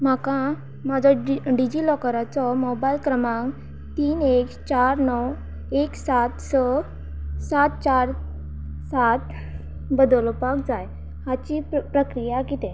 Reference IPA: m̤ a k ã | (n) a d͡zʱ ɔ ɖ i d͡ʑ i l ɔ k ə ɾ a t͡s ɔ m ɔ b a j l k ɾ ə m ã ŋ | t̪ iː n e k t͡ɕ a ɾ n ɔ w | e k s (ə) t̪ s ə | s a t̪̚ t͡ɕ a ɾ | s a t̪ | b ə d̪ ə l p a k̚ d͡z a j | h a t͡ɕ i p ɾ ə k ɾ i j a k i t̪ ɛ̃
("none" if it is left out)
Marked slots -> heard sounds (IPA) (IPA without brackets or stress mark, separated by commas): m, a